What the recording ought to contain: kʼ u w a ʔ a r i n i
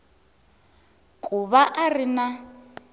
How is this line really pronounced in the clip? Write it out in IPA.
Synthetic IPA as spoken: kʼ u β a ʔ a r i n a

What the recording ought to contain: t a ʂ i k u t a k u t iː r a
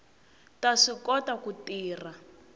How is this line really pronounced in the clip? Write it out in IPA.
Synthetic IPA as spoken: t a ʂ i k ɔ t a k u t iː r a

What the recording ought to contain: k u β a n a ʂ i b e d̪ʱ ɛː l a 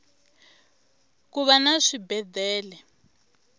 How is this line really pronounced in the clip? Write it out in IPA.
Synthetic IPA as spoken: k u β a n a ʂ i b ɛ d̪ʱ ɛː l ɛ

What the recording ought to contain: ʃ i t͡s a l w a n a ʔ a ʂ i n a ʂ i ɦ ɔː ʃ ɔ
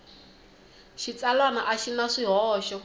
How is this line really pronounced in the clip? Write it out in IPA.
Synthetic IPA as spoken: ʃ i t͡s a l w a n a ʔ a ʃ i n a ʂ i ɦ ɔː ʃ ɔ

